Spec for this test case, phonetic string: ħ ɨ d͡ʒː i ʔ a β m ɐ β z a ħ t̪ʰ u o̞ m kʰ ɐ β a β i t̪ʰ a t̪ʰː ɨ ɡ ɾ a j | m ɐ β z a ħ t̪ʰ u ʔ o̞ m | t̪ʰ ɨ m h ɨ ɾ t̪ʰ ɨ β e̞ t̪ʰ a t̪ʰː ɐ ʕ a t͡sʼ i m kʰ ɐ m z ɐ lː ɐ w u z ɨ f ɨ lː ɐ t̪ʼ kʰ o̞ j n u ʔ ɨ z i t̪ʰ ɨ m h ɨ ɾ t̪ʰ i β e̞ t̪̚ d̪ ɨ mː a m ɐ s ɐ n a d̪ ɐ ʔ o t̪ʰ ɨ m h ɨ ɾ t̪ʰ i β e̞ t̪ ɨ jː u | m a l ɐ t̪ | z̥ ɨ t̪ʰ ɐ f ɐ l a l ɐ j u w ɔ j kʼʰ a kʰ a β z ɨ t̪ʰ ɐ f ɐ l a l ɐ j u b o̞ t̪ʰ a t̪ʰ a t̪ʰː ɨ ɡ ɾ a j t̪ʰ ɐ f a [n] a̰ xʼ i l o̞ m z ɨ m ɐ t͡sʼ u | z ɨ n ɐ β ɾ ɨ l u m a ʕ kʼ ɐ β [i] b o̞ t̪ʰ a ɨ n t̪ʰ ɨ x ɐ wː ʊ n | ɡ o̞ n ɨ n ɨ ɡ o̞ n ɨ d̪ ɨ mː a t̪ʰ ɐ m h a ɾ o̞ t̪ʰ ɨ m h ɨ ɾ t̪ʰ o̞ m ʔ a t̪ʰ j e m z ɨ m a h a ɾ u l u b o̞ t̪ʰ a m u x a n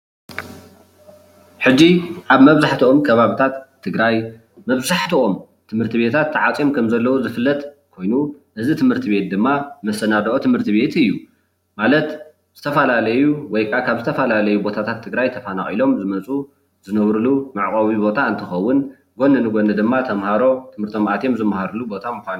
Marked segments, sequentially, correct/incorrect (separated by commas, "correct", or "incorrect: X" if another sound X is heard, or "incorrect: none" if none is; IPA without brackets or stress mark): correct, correct